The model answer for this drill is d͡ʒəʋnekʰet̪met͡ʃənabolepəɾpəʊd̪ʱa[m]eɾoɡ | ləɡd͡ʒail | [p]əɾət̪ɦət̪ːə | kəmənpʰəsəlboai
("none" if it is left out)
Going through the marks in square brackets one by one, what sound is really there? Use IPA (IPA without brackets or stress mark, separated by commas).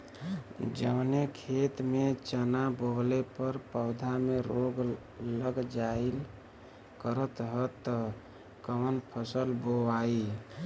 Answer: m, k